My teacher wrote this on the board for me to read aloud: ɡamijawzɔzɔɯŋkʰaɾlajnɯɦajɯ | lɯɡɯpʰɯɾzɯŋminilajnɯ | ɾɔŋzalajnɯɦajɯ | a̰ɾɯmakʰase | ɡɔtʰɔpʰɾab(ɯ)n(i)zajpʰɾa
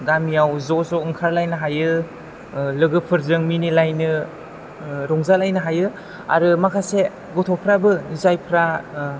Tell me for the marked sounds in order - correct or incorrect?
correct, correct

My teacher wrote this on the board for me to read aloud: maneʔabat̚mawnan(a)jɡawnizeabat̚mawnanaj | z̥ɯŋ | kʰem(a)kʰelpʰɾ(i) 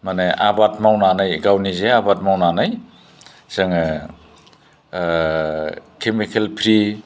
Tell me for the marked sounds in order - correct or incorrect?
correct, incorrect, correct

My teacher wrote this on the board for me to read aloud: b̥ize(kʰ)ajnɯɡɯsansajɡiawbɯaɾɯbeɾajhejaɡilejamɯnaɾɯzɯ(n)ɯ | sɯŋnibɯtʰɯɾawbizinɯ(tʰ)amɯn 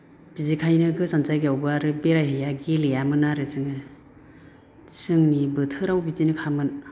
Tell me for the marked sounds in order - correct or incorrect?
correct, incorrect, incorrect

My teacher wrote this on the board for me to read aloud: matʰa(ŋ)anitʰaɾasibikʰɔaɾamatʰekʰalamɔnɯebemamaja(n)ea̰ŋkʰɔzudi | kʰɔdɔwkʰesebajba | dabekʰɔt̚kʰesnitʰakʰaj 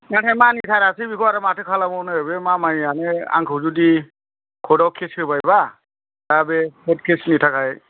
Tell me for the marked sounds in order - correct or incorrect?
incorrect, correct

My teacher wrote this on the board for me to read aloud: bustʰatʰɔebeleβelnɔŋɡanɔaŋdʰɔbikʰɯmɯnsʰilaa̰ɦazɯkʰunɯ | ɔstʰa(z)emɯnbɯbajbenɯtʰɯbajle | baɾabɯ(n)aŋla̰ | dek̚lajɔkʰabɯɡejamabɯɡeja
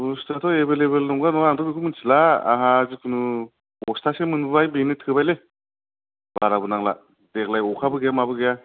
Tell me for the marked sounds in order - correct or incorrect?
incorrect, correct

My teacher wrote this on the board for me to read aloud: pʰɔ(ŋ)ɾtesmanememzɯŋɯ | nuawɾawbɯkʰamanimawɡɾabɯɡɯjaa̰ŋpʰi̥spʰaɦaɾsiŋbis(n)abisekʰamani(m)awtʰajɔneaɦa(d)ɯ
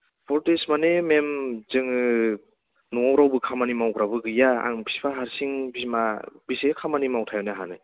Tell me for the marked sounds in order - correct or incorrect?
incorrect, incorrect, correct, incorrect

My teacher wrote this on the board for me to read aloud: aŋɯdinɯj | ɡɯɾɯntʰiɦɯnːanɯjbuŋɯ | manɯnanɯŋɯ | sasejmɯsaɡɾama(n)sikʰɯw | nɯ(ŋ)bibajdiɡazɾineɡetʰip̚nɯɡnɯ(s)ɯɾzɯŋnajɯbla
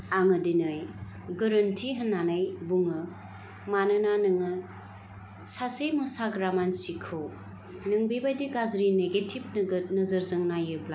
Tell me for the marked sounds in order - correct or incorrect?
correct, correct, incorrect

